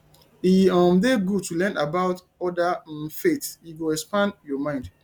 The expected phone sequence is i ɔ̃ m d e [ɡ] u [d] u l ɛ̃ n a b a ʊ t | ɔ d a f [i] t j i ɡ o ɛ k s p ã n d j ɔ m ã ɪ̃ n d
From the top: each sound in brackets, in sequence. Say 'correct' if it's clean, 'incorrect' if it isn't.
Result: correct, incorrect: t, incorrect: e

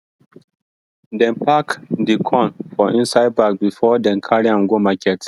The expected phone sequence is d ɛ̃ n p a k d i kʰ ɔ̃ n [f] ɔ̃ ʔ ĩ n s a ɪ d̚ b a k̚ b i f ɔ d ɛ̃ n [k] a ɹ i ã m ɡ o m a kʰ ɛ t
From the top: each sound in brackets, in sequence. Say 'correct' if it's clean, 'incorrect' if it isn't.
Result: correct, incorrect: kʰ

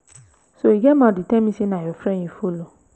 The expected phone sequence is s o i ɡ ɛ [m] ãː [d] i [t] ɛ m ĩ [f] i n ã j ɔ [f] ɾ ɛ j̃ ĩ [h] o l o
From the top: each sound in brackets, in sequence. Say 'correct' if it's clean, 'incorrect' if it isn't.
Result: correct, correct, correct, incorrect: s, correct, incorrect: f

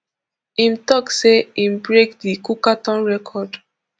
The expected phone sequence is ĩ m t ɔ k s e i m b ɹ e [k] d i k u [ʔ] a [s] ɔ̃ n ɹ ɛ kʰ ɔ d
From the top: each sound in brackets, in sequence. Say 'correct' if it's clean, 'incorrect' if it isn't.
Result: correct, incorrect: k, incorrect: t

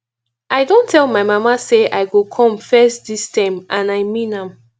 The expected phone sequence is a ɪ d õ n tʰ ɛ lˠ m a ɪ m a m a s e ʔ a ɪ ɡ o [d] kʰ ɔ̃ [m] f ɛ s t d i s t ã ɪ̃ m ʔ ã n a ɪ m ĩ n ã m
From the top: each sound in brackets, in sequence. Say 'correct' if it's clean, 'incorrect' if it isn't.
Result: incorrect: none, correct

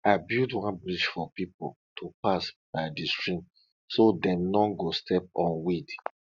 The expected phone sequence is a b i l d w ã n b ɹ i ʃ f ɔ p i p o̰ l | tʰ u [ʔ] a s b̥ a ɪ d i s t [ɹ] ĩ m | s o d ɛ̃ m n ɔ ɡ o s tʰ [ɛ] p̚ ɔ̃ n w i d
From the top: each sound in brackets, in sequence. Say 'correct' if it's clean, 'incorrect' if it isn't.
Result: incorrect: p, correct, correct

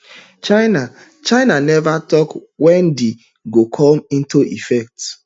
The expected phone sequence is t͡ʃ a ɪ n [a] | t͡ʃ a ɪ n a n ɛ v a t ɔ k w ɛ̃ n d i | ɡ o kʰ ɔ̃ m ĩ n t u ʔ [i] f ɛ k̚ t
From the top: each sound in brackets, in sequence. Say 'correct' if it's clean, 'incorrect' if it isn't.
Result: correct, correct

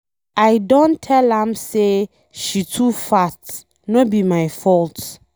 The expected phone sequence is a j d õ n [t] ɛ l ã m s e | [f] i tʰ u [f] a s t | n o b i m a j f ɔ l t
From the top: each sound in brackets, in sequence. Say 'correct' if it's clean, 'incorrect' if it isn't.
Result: incorrect: tʰ, incorrect: ʃ, correct

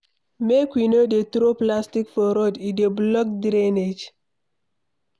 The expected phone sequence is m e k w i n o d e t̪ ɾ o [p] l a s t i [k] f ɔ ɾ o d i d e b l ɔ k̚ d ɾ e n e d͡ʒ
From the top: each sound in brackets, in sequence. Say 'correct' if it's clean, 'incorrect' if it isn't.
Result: correct, correct

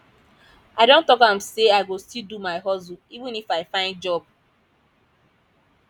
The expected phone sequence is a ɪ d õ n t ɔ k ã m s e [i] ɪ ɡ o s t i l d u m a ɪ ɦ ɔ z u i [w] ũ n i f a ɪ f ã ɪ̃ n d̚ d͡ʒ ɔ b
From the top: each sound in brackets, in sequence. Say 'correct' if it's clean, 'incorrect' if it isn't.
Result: incorrect: a, incorrect: v

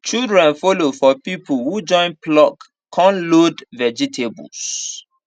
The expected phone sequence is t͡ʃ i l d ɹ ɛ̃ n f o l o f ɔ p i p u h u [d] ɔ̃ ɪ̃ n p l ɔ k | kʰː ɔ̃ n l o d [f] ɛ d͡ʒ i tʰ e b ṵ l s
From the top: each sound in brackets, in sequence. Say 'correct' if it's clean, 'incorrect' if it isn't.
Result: incorrect: d͡ʒ, incorrect: v

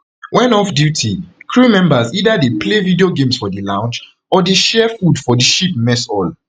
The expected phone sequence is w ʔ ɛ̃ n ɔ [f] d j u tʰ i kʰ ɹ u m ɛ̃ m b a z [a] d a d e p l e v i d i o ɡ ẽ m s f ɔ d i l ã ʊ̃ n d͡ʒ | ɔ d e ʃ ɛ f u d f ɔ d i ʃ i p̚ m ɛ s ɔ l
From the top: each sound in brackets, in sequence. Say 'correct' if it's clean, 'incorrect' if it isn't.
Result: correct, incorrect: i

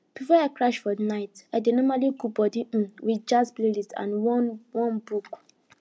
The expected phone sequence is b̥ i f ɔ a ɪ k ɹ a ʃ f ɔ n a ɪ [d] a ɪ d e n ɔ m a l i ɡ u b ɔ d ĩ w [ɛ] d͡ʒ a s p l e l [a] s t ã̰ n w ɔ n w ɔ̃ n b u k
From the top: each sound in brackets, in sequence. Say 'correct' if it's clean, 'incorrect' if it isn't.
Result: incorrect: t, incorrect: i, incorrect: i

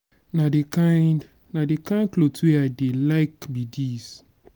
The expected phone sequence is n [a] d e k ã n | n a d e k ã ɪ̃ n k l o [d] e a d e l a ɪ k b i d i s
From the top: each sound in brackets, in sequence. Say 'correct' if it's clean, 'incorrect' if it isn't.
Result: correct, incorrect: t

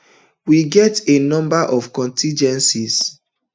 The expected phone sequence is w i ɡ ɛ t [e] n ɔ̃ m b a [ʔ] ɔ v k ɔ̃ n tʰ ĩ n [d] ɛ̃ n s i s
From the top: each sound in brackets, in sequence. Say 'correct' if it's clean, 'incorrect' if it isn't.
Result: correct, correct, incorrect: d͡ʒ

